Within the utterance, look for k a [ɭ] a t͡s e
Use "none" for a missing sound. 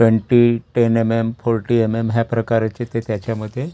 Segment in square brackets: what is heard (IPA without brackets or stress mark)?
ɾ